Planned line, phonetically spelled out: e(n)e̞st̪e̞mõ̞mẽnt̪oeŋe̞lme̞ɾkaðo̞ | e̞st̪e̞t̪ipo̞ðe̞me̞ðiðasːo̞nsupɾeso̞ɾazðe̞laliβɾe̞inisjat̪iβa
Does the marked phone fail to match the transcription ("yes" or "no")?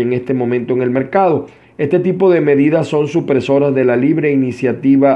yes